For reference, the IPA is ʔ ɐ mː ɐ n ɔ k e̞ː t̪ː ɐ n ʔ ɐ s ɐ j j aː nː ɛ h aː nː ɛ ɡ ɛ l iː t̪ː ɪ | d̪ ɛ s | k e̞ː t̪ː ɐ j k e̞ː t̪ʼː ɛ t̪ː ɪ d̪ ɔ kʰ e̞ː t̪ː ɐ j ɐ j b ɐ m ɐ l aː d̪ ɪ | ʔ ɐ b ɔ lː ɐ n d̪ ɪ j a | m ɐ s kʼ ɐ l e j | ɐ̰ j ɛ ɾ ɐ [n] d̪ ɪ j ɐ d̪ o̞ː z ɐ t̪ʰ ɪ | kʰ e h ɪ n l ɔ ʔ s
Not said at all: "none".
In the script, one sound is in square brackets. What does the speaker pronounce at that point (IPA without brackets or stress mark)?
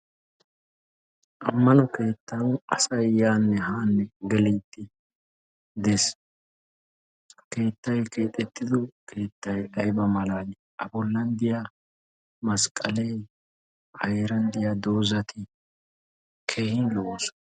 n